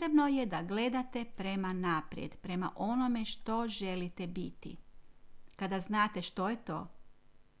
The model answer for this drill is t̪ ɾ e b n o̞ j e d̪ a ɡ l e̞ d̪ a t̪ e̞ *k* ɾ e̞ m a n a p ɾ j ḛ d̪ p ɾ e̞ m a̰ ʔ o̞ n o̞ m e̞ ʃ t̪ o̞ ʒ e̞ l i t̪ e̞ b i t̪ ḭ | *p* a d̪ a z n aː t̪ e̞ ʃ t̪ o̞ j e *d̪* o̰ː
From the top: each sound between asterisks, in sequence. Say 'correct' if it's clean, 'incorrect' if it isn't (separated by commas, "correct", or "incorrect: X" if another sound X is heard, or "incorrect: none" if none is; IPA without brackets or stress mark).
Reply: incorrect: p, incorrect: k, incorrect: t̪